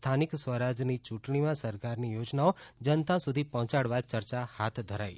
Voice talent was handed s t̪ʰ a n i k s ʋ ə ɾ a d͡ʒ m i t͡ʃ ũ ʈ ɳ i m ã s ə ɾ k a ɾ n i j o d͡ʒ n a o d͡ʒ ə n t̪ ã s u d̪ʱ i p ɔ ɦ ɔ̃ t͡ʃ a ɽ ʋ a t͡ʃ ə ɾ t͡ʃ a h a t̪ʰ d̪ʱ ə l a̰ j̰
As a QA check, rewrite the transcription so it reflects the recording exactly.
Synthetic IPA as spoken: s t̪ʰ a n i k s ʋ ə ɾ a d͡ʒ n i t͡ʃ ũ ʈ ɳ i m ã s ə ɾ k a ɾ n i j o d͡ʒ n a o d͡ʒ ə n t̪ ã s u d̪ʱ i p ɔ ɦ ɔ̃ t͡ʃ a ɽ ʋ a t͡ʃ ə ɾ t͡ʃ a h a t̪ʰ d̪ʱ ə ɾ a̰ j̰